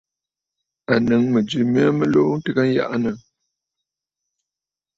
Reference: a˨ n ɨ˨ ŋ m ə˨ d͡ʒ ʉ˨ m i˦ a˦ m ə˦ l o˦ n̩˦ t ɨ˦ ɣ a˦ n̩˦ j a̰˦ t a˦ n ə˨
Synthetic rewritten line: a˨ n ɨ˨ ŋ m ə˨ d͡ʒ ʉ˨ m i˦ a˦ m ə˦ l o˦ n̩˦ t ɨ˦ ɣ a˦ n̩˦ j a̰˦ ʔ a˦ n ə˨